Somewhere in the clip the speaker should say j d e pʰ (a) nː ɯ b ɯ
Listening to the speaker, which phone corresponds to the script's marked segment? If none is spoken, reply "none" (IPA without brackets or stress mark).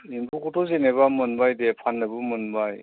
a